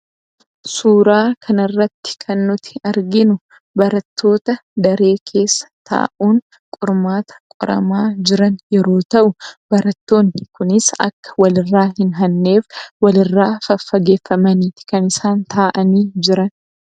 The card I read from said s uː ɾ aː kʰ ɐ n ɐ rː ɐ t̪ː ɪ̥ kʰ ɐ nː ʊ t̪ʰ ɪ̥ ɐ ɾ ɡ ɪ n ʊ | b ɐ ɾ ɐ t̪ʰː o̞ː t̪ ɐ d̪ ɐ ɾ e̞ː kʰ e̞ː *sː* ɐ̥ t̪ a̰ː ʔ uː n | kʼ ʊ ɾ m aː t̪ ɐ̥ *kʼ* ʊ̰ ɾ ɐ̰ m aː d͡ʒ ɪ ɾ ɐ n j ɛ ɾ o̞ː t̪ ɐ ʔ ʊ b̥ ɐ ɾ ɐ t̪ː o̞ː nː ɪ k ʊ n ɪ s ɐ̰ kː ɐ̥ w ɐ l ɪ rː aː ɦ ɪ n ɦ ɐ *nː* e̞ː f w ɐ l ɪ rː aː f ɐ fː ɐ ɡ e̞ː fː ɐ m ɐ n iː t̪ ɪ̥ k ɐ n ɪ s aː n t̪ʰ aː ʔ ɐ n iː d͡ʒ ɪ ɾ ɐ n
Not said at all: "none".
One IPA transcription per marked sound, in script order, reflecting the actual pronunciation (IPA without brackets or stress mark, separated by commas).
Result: sː, kʼ, nː